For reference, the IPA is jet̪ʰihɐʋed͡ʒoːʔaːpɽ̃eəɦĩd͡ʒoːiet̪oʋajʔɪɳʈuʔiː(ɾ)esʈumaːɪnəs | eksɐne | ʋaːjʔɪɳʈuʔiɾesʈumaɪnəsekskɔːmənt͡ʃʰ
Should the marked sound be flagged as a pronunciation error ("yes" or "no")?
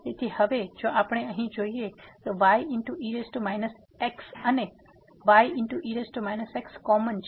no